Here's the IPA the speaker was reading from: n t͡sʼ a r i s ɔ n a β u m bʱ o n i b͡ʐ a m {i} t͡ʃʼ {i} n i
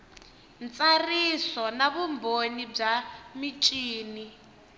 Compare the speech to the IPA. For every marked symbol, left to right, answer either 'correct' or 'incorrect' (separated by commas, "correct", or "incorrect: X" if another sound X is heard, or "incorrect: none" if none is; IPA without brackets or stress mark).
correct, incorrect: iː